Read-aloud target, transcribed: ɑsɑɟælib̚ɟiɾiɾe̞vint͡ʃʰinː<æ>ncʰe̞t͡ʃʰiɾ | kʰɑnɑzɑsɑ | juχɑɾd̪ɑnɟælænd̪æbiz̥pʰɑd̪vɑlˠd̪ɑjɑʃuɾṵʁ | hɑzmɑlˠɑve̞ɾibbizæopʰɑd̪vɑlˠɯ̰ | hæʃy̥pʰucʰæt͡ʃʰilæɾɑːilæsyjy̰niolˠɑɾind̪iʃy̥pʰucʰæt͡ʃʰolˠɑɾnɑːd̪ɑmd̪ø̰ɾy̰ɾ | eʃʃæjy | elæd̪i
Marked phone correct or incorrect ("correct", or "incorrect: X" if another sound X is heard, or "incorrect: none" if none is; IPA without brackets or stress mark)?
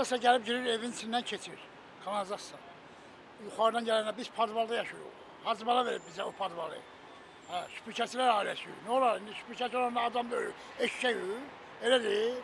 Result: correct